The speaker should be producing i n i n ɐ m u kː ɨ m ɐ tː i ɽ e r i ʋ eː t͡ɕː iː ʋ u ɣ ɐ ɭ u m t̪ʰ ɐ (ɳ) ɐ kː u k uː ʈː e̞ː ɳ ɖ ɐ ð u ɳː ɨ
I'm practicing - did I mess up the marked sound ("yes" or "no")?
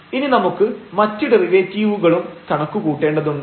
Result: no